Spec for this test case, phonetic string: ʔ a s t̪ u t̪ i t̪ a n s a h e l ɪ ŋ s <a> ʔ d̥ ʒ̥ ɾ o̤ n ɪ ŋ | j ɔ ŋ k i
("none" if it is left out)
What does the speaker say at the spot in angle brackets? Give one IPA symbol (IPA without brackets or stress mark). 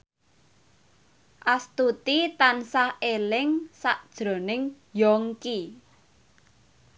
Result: a